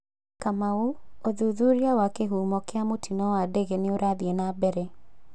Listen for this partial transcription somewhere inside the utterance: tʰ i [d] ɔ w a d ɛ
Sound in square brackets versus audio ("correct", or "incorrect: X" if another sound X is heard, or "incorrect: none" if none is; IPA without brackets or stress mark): incorrect: n